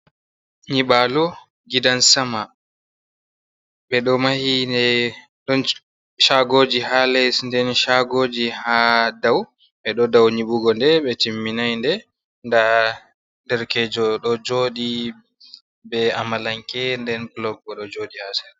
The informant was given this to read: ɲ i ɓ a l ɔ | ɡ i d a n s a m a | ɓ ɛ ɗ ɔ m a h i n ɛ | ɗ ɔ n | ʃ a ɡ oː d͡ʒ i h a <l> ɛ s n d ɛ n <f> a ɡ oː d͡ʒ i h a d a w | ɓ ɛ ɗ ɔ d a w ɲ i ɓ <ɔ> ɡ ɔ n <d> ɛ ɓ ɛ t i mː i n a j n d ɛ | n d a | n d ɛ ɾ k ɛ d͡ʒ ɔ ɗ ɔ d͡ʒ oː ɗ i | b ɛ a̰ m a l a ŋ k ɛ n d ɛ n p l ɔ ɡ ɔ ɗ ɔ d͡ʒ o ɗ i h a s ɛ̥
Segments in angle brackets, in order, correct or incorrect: correct, incorrect: ʃ, incorrect: u, correct

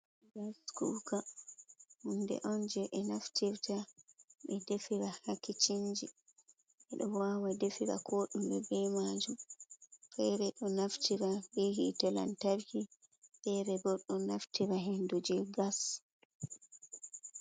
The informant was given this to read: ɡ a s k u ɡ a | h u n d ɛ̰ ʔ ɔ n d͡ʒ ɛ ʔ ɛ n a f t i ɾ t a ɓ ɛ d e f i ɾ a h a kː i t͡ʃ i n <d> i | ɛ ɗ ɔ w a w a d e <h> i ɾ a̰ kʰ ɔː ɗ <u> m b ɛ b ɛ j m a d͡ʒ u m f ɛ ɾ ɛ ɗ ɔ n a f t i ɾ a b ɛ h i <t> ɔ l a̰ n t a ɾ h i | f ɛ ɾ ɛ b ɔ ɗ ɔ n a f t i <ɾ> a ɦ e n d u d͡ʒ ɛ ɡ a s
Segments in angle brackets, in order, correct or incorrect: incorrect: d͡ʒ, incorrect: f, correct, correct, correct

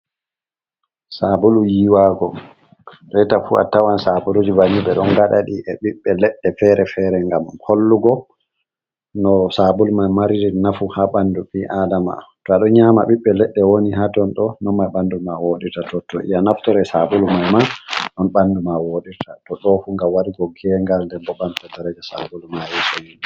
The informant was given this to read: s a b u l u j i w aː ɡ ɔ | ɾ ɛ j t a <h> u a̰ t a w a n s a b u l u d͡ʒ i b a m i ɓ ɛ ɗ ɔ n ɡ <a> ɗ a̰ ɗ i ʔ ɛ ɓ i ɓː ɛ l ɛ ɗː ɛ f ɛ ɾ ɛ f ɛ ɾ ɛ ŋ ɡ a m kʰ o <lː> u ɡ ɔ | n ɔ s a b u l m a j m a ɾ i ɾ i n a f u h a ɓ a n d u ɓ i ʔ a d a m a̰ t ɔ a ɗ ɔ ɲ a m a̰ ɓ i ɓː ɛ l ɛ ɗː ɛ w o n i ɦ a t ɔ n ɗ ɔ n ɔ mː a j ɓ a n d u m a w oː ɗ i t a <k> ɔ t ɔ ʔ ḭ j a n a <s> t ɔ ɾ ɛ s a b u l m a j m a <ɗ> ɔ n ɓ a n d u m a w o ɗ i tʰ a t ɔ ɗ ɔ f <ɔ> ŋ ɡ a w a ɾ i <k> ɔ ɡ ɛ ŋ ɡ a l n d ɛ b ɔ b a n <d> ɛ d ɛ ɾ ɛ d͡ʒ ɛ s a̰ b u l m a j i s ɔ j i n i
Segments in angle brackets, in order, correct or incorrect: incorrect: f, correct, correct, incorrect: t, incorrect: f, correct, incorrect: u, incorrect: ɡ, incorrect: t

